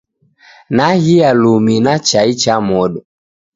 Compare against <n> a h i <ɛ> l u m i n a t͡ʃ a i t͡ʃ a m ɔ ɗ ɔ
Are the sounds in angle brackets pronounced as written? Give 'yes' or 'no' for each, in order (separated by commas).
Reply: yes, no